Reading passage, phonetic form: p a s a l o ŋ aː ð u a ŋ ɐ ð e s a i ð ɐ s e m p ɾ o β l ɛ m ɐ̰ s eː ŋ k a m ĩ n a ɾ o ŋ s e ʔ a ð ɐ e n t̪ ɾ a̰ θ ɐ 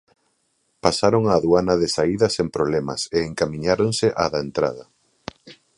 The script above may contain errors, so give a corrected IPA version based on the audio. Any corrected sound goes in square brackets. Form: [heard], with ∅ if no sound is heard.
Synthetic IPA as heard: p a s a [ɾ] o ŋ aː ð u a [n] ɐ ð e s a i ð ɐ s e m p ɾ o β l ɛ m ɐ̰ s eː ŋ k a m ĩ [ɲ] a ɾ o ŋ s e ʔ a ð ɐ e n t̪ ɾ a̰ [ð] ɐ

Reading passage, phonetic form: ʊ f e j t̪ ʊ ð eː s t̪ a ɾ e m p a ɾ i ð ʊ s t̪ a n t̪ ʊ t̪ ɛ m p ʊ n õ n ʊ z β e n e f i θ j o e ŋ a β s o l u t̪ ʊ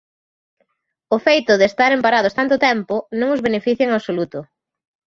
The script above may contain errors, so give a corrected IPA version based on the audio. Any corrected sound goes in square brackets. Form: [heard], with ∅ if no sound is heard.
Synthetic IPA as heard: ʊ f e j t̪ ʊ ð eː s t̪ a ɾ e m p a ɾ [a] ð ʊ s t̪ a n t̪ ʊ t̪ ɛ m p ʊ n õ [ŋ] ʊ z β e n e f i θ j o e ŋ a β s o l u t̪ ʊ

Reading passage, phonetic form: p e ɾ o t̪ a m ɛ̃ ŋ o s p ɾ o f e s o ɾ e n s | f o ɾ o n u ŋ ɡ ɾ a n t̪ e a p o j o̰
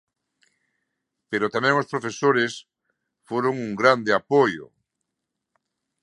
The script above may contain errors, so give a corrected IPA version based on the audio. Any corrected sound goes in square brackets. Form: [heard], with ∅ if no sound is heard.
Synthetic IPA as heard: p e ɾ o t̪ a m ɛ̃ ŋ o s p ɾ o f e s o ɾ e [∅] s | f o ɾ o [ŋ] u ŋ ɡ ɾ a n [d̪] e a p o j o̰

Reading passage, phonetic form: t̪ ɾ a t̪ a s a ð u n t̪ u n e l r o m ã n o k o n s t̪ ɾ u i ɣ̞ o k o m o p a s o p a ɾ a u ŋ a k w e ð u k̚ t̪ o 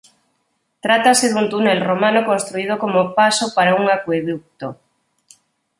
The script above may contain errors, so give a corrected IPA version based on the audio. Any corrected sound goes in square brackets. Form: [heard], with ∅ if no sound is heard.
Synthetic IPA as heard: t̪ ɾ a t̪ a s [e] ð u n t̪ u n e l r o m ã n o k o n s t̪ ɾ u i [ð̞] o k o m o p a s o p a ɾ a u ŋ a k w e ð u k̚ t̪ o

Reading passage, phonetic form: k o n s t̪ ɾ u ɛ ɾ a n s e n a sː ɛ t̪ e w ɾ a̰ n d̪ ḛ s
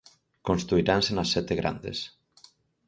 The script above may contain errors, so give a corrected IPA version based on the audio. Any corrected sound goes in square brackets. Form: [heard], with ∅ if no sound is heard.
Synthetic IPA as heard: k o n s t̪ ɾ u [i] ɾ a n s e n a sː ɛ t̪ e [ɣ] ɾ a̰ n d̪ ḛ s

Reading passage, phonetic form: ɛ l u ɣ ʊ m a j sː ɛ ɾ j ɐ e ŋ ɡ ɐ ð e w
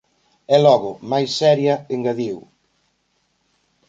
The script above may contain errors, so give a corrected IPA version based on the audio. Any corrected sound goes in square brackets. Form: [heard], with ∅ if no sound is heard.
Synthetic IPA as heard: ɛ l [ɔ] ɣ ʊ m a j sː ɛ ɾ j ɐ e ŋ ɡ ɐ ð [i] w

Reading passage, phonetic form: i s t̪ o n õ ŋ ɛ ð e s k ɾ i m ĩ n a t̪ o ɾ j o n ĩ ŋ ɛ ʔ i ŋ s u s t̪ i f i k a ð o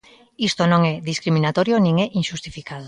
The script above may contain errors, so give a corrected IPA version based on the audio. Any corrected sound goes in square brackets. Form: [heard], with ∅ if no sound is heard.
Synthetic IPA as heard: i s t̪ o n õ ŋ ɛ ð [i] s k ɾ i m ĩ n a t̪ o ɾ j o n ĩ ŋ ɛ ʔ i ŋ [ʃ] u s t̪ i f i k a ð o

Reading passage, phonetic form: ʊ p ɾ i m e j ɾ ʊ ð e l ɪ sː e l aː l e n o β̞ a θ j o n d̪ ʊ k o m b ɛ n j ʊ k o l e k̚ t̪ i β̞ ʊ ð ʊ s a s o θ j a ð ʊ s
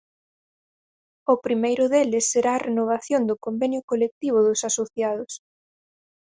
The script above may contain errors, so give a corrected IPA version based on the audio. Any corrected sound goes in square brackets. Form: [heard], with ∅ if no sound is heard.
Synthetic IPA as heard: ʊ p ɾ i m e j ɾ ʊ ð e l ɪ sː e [ɾ] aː [r] e n o β̞ a θ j o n d̪ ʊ k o m b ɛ n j ʊ k o l e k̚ t̪ i β̞ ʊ ð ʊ s a s o θ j a ð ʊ s

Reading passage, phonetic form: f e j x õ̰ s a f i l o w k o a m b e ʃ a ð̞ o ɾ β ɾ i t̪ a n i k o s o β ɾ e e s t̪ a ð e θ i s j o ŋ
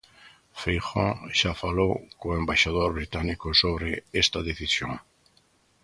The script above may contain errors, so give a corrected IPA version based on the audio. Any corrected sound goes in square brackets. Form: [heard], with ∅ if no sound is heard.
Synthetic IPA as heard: f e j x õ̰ [ʃ] a f [a] l o w k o [e] m b [a] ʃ a ð̞ o ɾ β ɾ i t̪ a n i k o s o β ɾ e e s t̪ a ð e θ i s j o ŋ

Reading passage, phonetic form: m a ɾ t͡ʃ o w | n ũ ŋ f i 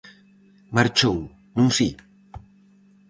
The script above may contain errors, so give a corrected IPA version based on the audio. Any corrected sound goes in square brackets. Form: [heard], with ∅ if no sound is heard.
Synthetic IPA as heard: m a ɾ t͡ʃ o w | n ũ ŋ [s] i

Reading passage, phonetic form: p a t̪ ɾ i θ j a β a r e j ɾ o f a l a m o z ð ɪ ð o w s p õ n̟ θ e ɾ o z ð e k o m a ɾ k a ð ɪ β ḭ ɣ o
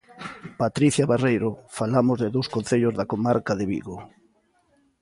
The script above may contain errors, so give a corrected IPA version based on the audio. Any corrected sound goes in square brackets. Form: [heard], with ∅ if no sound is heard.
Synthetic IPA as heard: p a t̪ ɾ i θ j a β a r e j ɾ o f a l a m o z ð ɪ ð o w s [k] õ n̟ θ e [ʎ] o z ð [a] k o m a ɾ k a ð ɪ β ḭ ɣ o

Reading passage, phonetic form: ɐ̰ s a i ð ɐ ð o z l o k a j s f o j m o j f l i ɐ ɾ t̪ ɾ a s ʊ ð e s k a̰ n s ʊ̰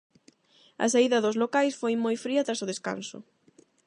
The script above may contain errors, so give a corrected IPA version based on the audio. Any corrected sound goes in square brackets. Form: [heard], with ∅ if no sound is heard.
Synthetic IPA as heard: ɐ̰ s a i ð ɐ ð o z l o k a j s f o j m o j f [ɾ] i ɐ [∅] t̪ ɾ a s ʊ ð e s k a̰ n s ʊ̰

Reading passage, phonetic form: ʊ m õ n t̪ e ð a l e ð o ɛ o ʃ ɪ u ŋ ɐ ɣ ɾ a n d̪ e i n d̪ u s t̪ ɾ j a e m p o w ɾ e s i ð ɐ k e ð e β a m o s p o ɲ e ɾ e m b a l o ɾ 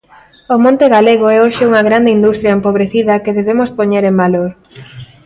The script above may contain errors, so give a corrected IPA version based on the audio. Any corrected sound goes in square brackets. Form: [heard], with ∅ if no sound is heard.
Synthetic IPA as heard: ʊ m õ n t̪ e [ɣ] a l e [ɣ] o ɛ o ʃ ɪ u ŋ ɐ ɣ ɾ a n d̪ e i n d̪ u s t̪ ɾ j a e m p o [β] ɾ e [θ] i ð ɐ k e ð e β [e] m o s p o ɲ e ɾ e m b a l o ɾ

